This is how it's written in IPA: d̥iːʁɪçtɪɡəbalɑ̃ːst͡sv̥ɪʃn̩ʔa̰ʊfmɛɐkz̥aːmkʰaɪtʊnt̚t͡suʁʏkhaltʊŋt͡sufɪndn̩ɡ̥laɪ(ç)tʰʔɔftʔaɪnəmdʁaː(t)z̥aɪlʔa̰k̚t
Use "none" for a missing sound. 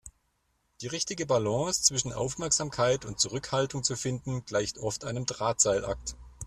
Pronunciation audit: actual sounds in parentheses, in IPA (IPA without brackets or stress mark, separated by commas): ç, t